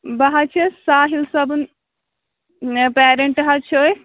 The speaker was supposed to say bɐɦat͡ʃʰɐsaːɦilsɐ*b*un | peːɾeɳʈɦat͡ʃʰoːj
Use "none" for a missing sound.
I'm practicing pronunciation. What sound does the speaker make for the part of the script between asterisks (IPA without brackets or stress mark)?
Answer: b